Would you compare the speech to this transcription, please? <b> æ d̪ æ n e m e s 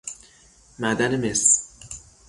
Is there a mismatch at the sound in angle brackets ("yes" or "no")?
yes